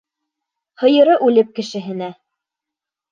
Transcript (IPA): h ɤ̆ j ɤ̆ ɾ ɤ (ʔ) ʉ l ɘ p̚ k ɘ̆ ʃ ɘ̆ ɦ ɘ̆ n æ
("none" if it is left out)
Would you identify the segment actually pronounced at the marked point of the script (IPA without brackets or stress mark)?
ʔ